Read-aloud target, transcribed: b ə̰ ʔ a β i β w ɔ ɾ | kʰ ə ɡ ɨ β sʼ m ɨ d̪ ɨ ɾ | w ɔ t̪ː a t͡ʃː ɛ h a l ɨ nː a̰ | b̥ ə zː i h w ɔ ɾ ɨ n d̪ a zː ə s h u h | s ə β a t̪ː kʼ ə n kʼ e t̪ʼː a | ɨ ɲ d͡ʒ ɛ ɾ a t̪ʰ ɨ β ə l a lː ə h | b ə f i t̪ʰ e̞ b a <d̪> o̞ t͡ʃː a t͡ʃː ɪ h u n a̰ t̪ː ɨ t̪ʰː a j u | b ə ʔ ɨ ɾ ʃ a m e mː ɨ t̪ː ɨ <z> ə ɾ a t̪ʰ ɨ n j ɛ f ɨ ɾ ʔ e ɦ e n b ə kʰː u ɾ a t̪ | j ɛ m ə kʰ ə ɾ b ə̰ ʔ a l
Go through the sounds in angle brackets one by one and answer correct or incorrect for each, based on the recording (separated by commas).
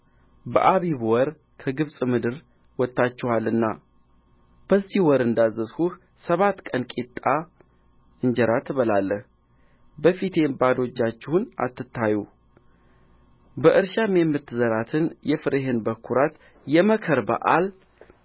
correct, correct